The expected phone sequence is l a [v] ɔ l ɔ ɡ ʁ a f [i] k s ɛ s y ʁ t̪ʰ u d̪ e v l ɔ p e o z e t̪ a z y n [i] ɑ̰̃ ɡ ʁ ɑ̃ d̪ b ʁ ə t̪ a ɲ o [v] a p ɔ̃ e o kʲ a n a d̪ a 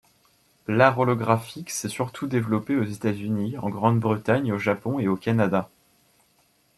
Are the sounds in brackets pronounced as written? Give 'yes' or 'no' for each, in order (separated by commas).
no, yes, yes, no